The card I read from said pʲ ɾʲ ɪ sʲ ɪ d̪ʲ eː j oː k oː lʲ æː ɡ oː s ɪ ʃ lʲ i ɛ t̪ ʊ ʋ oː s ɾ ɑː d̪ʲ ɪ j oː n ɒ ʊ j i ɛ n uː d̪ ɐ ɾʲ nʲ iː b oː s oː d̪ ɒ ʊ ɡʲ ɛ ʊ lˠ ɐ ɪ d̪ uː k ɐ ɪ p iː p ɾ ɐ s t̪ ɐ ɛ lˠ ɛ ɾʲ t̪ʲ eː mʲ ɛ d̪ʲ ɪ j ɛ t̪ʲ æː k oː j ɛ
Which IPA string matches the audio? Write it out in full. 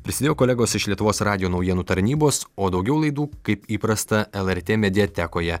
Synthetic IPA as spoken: pʲ ɾʲ ɪ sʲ ɪ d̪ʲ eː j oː k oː lʲ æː ɡ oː s ɪ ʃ lʲ i ɛ t̪ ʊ ʋ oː s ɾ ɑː d̪ʲ ɪ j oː n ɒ ʊ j i ɛ n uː t̪ ɐ ɾʲ nʲ iː b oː s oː d̪ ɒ ʊ ɡʲ ɛ ʊ lˠ ɐ ɪ d̪ uː k ɐ ɪ p iː p ɾ ɐ s t̪ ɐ ɛ lˠ ɛ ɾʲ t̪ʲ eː mʲ ɛ d̪ʲ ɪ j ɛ t̪ʲ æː k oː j ɛ